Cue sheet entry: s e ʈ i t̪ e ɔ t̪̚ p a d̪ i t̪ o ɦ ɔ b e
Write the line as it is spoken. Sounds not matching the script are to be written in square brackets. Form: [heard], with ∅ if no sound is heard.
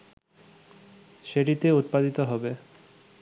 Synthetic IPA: [ʃ] e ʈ i t̪ e [u] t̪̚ p a d̪ i t̪ o ɦ ɔ b e

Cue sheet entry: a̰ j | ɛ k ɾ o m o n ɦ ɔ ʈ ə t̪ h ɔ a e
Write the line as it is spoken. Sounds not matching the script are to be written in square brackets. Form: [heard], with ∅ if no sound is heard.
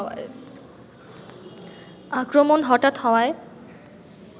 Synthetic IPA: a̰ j | [a] k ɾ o m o n ɦ ɔ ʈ [a] t̪ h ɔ a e

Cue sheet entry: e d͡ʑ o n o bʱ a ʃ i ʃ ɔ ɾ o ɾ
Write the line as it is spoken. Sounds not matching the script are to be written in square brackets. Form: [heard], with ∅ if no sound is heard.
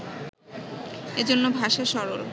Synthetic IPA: e d͡ʑ o [nː] o bʱ a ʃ [a] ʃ ɔ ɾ o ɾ

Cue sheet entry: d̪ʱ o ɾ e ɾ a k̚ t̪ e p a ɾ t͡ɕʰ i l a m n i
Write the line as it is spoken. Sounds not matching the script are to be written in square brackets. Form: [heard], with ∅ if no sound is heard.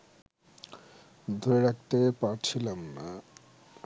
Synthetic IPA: d̪ʱ o ɾ e ɾ a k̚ t̪ e p a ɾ t͡ɕʰ i l a m n [a]

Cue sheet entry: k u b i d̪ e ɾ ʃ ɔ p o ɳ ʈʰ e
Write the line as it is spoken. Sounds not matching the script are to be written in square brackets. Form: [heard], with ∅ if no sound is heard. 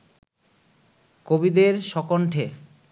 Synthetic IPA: k [o] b i d̪ e ɾ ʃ ɔ [k] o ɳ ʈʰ e

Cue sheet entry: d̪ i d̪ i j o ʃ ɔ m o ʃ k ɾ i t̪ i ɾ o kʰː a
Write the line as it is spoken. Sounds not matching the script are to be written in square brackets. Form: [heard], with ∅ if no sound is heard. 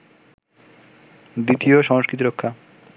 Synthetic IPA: d̪ i [t̪] i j o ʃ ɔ [ŋ] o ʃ k ɾ i t̪ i ɾ o kʰː a

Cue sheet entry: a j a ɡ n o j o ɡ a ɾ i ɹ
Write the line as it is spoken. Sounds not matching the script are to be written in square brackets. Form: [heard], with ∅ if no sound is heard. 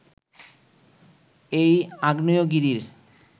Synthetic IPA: [e] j a ɡ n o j o ɡ [i] ɾ i [ɾ]

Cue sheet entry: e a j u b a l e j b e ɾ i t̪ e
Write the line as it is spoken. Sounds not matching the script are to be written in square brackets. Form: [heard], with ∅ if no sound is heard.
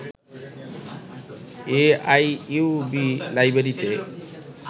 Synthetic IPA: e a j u b [i] l [a] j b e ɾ i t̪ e

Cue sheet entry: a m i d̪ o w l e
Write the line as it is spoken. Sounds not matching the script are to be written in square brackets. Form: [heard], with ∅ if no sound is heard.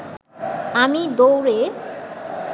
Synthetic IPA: a m i d̪ o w [ɾ] e

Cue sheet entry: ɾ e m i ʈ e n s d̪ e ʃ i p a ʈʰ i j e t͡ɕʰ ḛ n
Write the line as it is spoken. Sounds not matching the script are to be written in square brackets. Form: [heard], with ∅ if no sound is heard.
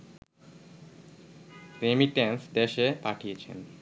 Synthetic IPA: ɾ e m i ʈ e n s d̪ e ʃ [e] p a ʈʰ i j e t͡ɕʰ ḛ n

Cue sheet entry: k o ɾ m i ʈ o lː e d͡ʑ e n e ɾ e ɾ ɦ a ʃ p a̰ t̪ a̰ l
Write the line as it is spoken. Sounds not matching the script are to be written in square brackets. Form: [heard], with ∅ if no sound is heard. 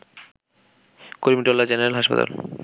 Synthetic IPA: k o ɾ m i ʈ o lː [a] d͡ʑ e n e ɾ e [l] ɦ a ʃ p a̰ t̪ a̰ l

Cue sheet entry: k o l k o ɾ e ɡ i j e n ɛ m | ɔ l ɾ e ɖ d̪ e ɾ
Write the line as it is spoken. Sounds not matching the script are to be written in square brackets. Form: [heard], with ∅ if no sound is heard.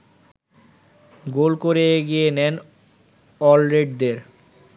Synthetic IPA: [ɡ] o l k o ɾ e ɡ i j e n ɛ [n] | ɔ l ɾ e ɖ d̪ e ɾ

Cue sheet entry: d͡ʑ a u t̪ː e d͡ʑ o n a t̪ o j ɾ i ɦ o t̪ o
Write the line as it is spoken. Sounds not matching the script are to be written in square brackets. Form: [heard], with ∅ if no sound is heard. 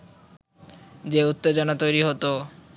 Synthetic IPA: d͡ʑ [e] u t̪ː e d͡ʑ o n a t̪ o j ɾ i ɦ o t̪ o

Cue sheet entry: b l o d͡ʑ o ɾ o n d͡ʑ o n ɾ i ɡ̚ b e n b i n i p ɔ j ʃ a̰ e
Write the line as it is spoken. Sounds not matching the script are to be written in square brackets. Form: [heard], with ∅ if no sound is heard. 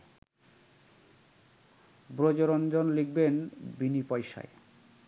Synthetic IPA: b [ɾ] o d͡ʑ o ɾ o n d͡ʑ o n [l] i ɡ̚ b e n b i n i p ɔ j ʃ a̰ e

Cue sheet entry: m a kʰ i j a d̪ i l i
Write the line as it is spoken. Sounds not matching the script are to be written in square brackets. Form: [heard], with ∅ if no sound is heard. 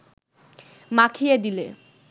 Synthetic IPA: m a kʰ i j [e] d̪ i l [e]

